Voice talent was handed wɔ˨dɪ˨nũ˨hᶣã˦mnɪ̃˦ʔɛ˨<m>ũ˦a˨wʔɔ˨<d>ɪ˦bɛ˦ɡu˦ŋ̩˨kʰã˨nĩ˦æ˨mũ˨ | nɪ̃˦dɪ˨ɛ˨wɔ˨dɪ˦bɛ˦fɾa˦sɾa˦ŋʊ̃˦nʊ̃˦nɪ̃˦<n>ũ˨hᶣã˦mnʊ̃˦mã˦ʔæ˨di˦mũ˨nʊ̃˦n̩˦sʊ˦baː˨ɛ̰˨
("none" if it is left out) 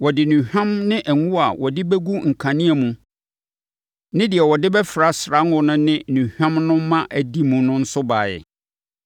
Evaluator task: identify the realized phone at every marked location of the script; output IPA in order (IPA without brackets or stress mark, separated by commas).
ŋ, d, n